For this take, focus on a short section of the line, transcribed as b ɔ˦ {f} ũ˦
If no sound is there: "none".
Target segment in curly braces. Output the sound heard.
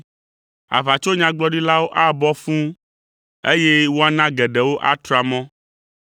f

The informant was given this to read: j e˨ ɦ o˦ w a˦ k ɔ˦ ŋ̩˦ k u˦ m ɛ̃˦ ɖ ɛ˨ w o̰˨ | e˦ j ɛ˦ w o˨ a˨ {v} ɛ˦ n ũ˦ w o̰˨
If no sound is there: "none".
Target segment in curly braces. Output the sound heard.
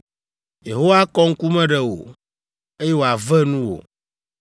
v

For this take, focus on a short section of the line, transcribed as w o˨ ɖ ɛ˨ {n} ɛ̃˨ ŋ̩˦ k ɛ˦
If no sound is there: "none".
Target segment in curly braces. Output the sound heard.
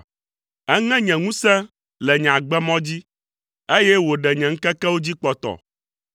ɲ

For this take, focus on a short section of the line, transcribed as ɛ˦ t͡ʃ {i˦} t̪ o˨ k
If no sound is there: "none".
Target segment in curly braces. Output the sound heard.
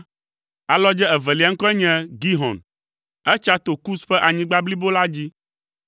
a˦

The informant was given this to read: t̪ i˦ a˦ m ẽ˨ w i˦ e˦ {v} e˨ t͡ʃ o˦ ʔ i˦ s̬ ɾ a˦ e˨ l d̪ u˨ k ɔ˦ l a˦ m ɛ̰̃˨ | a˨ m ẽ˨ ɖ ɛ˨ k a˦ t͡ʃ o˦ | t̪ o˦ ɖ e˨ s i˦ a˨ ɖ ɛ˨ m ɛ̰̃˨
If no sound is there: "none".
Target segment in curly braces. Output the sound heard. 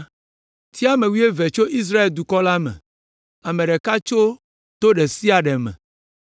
v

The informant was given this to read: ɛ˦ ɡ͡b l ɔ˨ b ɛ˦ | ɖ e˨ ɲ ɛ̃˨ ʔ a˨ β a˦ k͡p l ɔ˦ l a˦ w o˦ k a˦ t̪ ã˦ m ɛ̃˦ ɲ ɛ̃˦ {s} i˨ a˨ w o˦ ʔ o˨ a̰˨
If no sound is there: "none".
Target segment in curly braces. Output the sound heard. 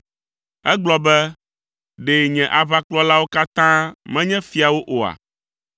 f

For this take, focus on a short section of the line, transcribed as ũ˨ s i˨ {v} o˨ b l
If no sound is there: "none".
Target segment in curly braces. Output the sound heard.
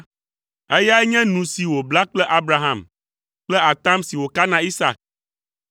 w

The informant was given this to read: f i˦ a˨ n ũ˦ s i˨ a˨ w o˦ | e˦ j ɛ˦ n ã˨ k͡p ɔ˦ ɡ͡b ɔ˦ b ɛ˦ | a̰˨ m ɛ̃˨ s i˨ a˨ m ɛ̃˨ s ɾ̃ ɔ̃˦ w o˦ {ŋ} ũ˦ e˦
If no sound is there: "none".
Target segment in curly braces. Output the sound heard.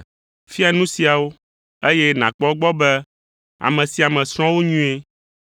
ɲ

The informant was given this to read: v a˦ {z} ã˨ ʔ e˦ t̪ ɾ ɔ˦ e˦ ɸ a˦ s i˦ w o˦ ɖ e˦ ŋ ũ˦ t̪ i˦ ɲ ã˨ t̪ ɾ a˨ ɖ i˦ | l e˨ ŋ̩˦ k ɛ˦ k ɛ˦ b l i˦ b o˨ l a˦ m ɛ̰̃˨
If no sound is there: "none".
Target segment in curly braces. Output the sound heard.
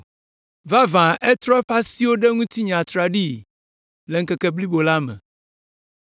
v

